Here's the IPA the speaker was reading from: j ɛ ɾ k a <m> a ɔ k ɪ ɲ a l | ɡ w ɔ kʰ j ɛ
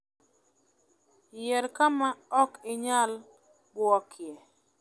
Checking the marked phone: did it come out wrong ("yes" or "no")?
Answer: no